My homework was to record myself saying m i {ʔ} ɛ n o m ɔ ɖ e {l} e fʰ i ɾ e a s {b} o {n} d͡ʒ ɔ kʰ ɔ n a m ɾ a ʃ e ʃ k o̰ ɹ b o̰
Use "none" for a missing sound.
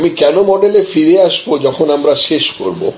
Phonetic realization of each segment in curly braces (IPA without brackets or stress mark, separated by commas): k, l, b, none